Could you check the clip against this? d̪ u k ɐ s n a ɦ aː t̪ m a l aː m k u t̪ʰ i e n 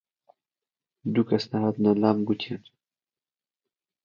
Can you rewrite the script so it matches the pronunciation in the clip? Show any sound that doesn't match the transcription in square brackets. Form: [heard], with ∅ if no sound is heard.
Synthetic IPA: d̪ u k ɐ s n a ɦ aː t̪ [n] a l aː m [ɡ] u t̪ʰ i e n